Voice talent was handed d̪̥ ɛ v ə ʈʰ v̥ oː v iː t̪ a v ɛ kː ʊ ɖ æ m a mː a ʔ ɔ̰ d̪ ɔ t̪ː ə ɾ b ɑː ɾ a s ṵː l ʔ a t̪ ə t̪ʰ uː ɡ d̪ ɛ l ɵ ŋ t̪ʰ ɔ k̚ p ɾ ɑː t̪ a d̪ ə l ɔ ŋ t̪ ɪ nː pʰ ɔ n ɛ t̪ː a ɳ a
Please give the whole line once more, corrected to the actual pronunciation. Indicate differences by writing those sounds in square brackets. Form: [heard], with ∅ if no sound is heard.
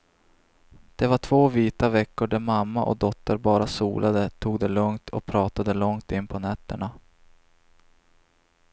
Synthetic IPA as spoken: d̪̥ ɛ v [a] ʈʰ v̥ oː v iː t̪ a v ɛ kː ʊ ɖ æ m a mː a ʔ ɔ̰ d̪ ɔ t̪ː ə ɾ b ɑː ɾ a s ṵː l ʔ a [d̪] ə t̪ʰ uː ɡ d̪ ɛ l ɵ ŋ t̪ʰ ɔ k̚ [pʰ] ɾ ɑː t̪ a d̪ ə l ɔ ŋ t̪ ɪ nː pʰ ɔ n ɛ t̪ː [ə] ɳ a

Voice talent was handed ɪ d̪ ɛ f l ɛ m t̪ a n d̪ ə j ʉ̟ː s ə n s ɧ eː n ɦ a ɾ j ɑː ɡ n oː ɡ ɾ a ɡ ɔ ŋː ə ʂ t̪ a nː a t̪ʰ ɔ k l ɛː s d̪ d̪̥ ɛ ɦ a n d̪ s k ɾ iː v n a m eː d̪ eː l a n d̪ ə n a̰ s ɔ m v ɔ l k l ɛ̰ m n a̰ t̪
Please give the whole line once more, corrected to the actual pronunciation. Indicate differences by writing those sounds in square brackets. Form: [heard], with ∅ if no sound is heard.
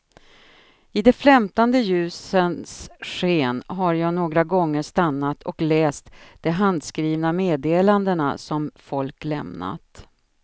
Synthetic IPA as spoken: ɪ d̪ ɛ f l ɛ m t̪ a n d̪ ə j ʉ̟ː s ə n s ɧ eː n ɦ a ɾ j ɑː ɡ n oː ɡ ɾ a ɡ ɔ ŋː ə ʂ t̪ a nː a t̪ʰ ɔ k l ɛː s [t̪] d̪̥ ɛ ɦ a n d̪ s k ɾ iː v n a m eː d̪ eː l a n d̪ ə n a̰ s ɔ m [f] ɔ l k l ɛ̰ m n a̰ t̪

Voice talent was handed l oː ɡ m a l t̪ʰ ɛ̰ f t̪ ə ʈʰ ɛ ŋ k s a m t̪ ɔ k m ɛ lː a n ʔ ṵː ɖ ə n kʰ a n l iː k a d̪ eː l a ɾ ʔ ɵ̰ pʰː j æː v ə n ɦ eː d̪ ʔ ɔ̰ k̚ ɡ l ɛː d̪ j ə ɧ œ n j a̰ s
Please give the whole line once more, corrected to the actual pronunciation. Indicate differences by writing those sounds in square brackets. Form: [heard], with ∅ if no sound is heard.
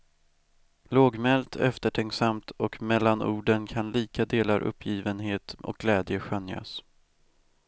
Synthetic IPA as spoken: l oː ɡ m [ɛ] l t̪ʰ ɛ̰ f t̪ ə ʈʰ ɛ ŋ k s a m t̪ ɔ k m ɛ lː a n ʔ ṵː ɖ ə n kʰ a n l iː k a d̪ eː l a ɾ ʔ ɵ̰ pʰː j [iː] v ə n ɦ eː [t̪] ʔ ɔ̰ k̚ ɡ l ɛː d̪ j ə ɧ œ n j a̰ s

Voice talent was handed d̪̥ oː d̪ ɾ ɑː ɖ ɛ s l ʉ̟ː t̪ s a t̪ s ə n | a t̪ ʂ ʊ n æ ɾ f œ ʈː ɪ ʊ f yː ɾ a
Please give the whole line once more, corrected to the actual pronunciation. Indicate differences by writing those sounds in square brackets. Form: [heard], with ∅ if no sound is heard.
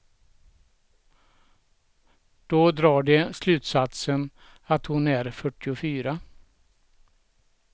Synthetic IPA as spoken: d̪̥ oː d̪ ɾ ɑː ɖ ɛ s l ʉ̟ː t̪ s a t̪ s ə n | a t̪ [h] ʊ n æ ɾ f œ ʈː ɪ ʊ f yː ɾ a

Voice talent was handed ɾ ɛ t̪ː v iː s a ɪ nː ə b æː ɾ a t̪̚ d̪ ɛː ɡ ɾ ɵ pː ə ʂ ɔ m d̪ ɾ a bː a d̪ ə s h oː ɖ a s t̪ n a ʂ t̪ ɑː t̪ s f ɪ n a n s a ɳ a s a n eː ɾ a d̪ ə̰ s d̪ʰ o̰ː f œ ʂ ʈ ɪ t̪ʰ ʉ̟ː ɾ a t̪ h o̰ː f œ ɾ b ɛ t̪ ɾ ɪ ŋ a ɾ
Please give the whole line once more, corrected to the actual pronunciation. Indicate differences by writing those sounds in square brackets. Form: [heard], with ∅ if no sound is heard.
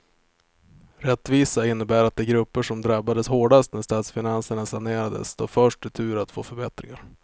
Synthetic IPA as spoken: ɾ ɛ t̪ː v iː s a ɪ nː ə b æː ɾ a t̪̚ d̪ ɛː ɡ ɾ ɵ pː ə ʂ ɔ m d̪ ɾ a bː a d̪ ə s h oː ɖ a s t̪ n [æ] ʂ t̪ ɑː t̪ s f ɪ n a n s [ə] ɳ a s a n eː ɾ a d̪ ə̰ s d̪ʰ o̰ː f œ ʂ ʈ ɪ t̪ʰ ʉ̟ː ɾ a t̪ [f] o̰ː f œ ɾ b ɛ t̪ ɾ ɪ ŋ a ɾ

